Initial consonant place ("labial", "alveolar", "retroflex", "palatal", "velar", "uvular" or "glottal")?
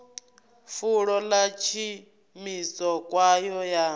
labial